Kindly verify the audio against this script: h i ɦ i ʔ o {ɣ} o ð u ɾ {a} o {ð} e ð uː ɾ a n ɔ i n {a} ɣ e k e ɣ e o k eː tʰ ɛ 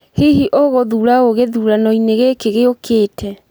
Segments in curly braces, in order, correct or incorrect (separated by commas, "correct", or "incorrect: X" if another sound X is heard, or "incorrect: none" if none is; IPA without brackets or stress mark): correct, correct, incorrect: ɣ, incorrect: e